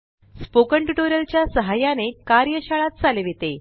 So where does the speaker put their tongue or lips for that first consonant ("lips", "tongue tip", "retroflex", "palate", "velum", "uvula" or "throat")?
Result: tongue tip